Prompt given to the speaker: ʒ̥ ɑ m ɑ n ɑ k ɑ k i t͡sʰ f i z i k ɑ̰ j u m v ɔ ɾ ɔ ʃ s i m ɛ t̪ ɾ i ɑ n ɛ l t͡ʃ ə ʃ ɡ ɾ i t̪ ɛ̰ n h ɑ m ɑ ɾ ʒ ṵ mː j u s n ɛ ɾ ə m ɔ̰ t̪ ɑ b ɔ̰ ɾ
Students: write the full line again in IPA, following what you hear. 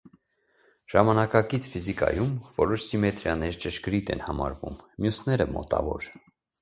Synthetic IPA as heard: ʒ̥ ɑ m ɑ n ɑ k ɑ k i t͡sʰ f i z i k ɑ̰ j u m v ɔ ɾ ɔ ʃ s i m ɛ t̪ ɾ j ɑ n ɛ ɾ t͡ʃ ə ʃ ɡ ɾ i t̪ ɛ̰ n h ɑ m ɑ ɾ v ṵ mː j u s n ɛ ɾ ə m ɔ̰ t̪ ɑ v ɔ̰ ɾ